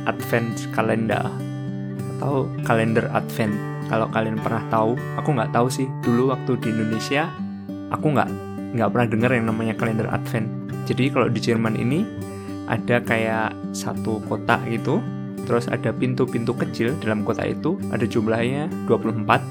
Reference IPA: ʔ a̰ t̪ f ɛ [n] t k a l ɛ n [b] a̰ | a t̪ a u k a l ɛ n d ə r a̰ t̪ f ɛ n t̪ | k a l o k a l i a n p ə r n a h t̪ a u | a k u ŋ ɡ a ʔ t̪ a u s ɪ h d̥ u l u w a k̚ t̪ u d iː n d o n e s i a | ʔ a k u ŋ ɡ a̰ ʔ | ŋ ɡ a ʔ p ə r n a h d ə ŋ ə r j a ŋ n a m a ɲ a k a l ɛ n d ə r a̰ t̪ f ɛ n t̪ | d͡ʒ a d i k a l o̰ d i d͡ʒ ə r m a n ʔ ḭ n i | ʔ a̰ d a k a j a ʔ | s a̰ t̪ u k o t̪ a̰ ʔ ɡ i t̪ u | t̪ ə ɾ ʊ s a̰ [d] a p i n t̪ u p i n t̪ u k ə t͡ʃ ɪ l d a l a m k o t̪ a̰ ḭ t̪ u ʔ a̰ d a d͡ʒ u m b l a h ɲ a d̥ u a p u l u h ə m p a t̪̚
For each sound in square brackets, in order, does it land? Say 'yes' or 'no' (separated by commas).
yes, no, yes